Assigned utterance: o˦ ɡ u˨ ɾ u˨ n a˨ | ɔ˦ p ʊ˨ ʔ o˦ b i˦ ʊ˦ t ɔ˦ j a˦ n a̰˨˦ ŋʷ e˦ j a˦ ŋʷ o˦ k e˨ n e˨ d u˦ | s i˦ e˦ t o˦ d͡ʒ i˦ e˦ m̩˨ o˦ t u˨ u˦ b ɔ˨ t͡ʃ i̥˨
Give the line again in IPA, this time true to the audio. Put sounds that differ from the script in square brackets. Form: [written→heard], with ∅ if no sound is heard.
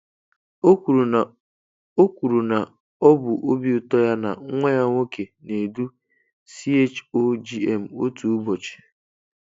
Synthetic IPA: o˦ [ɡ→k] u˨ ɾ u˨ n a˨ | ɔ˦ [p→b] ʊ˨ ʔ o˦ b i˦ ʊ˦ t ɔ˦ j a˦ n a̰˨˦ ŋʷ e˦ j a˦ ŋʷ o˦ k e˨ n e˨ d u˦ | s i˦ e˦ [t→t͡ʃ] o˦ d͡ʒ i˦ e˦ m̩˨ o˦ t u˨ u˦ b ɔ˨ t͡ʃ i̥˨